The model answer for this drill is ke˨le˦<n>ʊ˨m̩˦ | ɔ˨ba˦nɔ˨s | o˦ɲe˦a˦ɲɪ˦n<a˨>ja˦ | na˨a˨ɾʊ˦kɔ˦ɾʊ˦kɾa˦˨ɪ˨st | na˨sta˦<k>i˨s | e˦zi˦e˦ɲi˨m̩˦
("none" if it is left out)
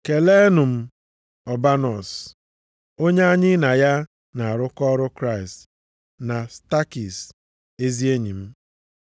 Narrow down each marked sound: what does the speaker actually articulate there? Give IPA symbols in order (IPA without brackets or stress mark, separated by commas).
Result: n, a˨, k